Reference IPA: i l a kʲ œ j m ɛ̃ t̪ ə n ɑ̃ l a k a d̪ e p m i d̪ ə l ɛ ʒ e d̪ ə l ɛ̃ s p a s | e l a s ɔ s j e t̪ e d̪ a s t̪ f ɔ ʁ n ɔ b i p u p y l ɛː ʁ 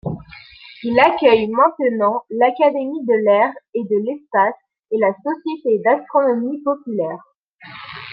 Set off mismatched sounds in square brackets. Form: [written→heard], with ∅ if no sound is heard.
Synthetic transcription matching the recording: i l a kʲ œ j m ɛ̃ t̪ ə n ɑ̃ l a k a d̪ e [p→∅] m i d̪ ə l ɛ [ʒ→ʁ] e d̪ ə l [ɛ̃→ɛ] s p a s | e l a s ɔ s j e t̪ e d̪ a s t̪ [f→χ] ɔ [ʁ→∅] n ɔ [b→m] i p [u→ɔ] p y l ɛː ʁ